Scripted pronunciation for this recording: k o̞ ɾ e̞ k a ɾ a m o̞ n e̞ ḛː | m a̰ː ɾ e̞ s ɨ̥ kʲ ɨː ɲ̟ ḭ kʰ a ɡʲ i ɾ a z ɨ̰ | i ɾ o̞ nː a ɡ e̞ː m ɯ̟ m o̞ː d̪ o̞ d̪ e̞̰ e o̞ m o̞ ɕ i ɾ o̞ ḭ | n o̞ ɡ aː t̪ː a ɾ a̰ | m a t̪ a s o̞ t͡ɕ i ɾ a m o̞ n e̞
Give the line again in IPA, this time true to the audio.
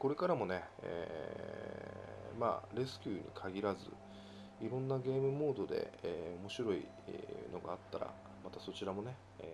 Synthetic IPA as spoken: k o̞ ɾ e̞ k a ɾ a m o̞ n e̞ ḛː | m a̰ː ɾ e̞ s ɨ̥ kʲ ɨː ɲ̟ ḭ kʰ a ɡʲ i ɾ a z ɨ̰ | i ɾ õ̞ nː a ɡ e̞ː m ɯ̟ m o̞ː d̪ o̞ d̪ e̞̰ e o̞ m o̞ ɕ i ɾ o̞ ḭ | n o̞ ɡ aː t̪ː a ɾ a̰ | m a t̪ a s o̞ t͡ɕ i ɾ a m o̞ n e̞